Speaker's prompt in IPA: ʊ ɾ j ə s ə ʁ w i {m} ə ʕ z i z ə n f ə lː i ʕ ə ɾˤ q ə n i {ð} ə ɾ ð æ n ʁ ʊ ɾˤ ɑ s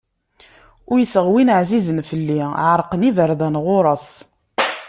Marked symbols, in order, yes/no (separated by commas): no, no